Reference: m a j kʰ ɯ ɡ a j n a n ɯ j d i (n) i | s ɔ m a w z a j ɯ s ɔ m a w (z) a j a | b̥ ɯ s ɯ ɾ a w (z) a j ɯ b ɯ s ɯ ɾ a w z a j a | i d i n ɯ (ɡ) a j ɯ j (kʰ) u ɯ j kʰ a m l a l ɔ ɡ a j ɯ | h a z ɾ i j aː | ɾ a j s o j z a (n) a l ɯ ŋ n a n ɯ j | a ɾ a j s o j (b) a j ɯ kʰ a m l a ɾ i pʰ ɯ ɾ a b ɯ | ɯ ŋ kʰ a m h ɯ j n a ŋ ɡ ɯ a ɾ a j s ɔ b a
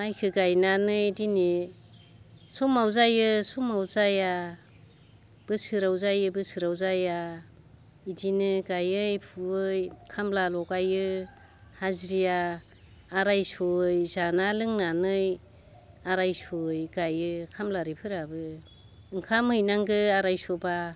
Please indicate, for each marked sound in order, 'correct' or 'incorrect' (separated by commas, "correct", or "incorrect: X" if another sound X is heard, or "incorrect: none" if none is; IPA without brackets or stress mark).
correct, correct, correct, correct, incorrect: pʰ, correct, incorrect: ɡ